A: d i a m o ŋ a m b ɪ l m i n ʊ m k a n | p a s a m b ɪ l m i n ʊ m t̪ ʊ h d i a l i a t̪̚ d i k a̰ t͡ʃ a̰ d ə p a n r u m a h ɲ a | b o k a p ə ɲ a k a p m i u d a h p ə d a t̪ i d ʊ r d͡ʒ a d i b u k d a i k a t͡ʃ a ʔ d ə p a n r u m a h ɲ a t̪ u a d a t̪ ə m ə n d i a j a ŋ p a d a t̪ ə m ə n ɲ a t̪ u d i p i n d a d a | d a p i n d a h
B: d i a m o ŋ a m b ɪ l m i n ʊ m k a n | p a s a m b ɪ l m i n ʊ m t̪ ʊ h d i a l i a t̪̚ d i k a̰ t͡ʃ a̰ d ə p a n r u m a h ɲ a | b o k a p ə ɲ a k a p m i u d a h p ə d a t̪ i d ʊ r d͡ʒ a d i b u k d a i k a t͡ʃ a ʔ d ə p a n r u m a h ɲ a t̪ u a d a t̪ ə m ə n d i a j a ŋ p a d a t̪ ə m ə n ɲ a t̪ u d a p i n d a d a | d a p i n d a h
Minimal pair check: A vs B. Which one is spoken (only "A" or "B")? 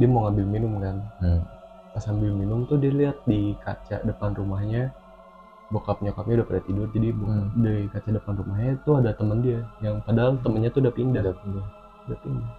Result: B